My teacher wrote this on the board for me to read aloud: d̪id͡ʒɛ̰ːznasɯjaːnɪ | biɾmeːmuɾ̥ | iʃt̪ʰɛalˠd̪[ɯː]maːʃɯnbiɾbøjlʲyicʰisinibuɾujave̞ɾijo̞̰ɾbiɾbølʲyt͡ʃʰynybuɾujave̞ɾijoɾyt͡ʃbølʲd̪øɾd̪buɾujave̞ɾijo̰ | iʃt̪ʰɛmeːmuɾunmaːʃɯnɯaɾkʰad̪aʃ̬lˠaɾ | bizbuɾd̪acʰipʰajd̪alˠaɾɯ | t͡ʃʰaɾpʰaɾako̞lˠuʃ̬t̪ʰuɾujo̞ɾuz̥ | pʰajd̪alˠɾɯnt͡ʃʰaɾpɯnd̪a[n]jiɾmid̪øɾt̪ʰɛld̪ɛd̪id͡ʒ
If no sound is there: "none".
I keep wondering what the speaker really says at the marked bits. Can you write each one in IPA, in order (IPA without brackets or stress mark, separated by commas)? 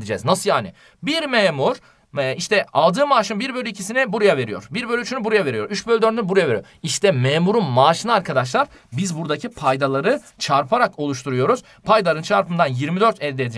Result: ɯː, n